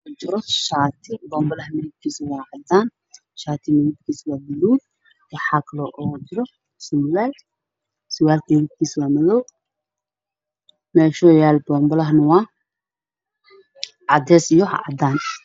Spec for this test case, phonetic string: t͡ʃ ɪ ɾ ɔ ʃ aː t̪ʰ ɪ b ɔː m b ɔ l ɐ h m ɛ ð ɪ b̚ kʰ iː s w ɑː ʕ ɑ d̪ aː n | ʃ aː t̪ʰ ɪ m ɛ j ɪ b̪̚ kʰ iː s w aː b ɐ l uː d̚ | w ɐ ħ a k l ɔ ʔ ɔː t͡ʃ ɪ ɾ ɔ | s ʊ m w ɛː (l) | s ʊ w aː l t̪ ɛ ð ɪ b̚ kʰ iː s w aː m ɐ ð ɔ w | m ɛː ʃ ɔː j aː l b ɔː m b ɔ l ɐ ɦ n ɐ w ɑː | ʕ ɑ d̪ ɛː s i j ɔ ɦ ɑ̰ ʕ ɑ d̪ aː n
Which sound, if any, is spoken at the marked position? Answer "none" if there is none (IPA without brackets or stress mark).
l